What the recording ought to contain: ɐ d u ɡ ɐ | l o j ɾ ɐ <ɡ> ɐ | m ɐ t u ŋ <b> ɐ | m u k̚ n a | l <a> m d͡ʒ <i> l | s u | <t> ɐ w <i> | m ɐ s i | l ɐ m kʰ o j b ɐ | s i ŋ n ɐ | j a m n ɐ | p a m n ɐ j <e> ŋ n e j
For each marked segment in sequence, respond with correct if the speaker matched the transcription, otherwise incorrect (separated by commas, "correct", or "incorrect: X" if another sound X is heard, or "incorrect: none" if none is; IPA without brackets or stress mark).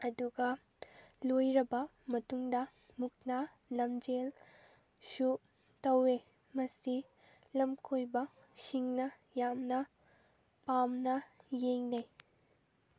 incorrect: b, incorrect: d, incorrect: ɐ, incorrect: e, correct, incorrect: e, correct